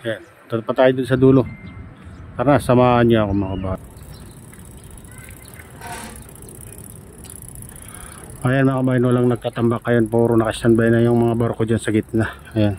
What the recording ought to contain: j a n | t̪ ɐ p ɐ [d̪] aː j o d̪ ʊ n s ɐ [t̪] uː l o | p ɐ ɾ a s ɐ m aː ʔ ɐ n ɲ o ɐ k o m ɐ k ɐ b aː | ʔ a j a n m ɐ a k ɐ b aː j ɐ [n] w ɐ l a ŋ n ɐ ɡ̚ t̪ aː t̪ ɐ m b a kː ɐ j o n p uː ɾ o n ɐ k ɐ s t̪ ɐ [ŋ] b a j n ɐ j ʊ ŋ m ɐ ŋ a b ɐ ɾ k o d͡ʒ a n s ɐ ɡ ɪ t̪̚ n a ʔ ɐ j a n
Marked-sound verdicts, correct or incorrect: incorrect, incorrect, correct, incorrect

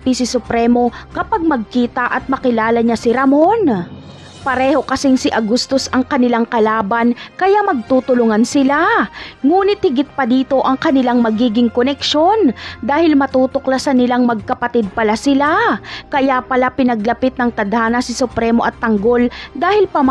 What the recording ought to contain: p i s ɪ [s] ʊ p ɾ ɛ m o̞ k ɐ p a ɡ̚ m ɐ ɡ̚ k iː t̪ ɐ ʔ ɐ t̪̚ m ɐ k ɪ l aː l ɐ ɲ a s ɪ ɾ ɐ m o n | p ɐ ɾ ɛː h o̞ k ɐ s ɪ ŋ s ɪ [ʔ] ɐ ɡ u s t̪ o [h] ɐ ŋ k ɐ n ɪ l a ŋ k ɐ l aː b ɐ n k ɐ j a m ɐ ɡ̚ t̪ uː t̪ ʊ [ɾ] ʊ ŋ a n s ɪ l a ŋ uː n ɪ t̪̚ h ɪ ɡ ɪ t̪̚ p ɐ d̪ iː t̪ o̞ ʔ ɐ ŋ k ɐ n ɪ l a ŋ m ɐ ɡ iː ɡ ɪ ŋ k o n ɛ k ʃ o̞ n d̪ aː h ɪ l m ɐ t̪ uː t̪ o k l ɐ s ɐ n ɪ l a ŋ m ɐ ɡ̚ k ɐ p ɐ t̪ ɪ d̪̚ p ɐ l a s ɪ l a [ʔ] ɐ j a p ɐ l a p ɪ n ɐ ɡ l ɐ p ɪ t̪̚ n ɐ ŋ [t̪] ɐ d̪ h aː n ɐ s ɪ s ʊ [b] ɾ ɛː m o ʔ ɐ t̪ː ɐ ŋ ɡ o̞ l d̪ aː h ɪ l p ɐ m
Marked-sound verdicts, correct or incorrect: correct, correct, incorrect, incorrect, incorrect, correct, incorrect

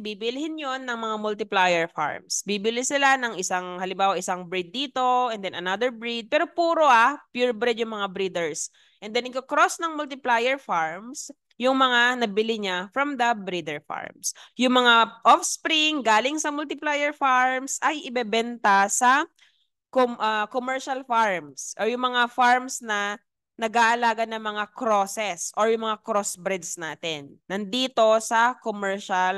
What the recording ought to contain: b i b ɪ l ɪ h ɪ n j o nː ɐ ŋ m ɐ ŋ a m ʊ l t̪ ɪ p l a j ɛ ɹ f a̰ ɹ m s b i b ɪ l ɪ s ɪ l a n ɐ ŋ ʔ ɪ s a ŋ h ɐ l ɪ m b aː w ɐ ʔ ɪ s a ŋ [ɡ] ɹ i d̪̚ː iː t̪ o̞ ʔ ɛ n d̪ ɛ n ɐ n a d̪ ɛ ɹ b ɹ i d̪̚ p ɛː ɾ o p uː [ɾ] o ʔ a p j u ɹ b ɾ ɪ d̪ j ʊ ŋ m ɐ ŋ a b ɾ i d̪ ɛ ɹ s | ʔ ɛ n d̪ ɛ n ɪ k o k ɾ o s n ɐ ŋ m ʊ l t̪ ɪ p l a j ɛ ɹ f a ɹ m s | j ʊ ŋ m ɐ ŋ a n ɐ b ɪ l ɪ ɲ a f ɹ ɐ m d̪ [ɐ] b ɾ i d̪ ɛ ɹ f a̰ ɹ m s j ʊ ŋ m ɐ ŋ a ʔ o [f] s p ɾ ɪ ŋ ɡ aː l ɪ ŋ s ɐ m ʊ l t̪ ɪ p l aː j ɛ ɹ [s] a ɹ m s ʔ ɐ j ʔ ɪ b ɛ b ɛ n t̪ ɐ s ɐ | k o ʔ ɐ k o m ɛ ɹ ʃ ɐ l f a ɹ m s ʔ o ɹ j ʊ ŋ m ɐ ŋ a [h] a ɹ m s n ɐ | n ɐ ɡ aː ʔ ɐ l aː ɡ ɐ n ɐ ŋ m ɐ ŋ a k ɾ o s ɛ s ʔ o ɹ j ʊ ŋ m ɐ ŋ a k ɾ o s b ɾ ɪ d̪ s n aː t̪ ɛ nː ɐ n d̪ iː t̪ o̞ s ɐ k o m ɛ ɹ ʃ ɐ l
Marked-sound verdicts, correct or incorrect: incorrect, correct, correct, correct, incorrect, incorrect

